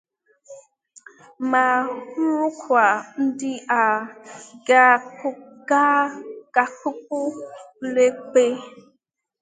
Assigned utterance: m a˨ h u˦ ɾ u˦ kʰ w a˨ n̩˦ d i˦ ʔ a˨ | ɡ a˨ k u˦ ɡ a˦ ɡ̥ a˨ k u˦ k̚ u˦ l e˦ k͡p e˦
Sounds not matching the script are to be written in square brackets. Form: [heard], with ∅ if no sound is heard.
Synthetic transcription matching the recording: m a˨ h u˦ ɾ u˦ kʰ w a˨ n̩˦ d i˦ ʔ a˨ | ɡ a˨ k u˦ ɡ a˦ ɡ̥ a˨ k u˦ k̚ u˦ l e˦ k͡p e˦